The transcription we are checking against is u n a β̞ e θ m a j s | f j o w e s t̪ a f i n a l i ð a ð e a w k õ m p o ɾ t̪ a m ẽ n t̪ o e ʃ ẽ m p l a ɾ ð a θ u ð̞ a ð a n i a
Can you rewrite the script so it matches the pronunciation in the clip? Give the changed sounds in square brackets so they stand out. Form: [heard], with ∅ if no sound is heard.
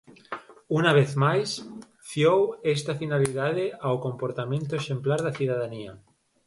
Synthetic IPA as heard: u n a β̞ e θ m a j s | f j o w e s t̪ a f i n a l i ð a ð e a w k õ m p o ɾ t̪ a m ẽ n t̪ o e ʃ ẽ m p l a ɾ ð a θ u ð̞ a ð a n i a